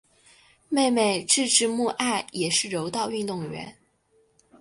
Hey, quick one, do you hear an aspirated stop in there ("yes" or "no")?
no